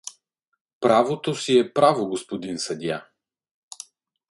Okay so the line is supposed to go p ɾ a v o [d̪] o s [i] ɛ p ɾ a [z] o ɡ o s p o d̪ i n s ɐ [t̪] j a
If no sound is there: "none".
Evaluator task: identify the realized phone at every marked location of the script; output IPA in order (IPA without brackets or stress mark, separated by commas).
t̪, i, v, d̪